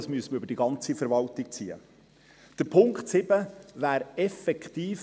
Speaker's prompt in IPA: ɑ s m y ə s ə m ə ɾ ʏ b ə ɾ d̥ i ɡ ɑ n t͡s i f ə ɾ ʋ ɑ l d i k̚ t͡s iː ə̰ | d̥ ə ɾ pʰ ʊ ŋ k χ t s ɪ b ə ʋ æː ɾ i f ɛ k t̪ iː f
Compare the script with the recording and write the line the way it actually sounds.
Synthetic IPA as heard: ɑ s m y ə s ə m ə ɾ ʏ b ə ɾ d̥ i ɡ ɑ n t͡s i f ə ɾ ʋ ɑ l t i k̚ t͡s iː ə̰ | d̥ ə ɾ pʰ ʊ ŋ k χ t s ɪ b ə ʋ æː ɾ ɛ f ɛ k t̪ iː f